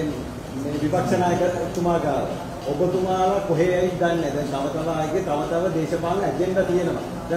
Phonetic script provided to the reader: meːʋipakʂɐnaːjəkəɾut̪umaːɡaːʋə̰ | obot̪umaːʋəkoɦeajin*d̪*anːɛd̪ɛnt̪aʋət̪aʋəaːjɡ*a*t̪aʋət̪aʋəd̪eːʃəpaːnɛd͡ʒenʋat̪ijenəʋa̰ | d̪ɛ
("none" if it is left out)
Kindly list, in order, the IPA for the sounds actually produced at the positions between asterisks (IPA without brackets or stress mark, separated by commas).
d̪, e